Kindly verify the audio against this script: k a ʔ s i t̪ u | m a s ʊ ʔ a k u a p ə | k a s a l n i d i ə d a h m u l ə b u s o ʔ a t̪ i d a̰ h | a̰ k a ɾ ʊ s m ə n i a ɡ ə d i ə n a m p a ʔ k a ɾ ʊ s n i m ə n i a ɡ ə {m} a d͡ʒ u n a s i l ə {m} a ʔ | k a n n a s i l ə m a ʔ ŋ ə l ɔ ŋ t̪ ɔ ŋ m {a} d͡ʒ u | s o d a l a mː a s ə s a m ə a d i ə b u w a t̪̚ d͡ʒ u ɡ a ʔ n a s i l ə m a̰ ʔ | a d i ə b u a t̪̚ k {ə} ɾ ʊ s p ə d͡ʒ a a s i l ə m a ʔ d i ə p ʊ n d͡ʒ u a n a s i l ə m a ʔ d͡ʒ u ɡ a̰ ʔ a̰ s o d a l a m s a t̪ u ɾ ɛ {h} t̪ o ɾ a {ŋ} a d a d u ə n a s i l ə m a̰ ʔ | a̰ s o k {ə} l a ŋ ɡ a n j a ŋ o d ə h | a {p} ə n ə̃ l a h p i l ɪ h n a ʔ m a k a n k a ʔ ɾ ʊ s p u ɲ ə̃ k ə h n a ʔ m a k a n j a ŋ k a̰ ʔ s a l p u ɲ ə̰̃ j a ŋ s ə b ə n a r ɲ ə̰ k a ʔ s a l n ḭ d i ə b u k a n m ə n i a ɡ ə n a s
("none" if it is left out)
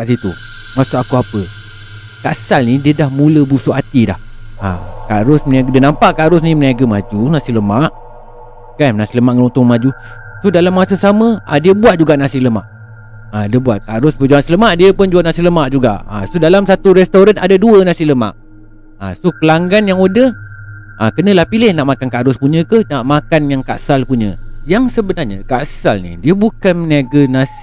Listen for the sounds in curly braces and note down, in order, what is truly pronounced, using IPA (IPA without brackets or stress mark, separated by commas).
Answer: m, m, a, a, s, n, ə, k